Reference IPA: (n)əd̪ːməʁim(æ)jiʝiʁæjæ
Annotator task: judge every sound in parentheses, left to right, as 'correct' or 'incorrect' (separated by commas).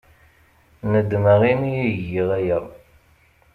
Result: correct, incorrect